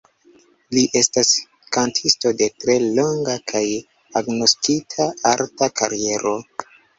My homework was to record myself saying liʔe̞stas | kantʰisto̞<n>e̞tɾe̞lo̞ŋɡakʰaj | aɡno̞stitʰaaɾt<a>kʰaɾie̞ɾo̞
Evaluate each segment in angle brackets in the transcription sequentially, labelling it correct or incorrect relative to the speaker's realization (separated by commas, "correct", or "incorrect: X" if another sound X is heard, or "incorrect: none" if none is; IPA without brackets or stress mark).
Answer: incorrect: d, correct